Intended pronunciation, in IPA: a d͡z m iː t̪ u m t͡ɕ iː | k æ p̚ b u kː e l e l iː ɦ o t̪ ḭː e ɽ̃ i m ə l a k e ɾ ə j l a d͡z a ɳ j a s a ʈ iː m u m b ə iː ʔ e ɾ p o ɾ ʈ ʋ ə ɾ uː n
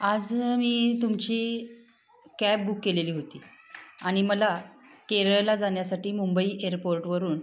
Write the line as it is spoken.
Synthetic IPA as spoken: a d͡z m iː t̪ u m t͡ɕ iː | k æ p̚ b u kː e l e l iː ɦ o t̪ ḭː a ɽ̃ i m ə l a k e ɾ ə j l a d͡z a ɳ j a s a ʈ iː m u m b ə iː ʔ e ɾ p o ɾ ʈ ʋ ə ɾ uː n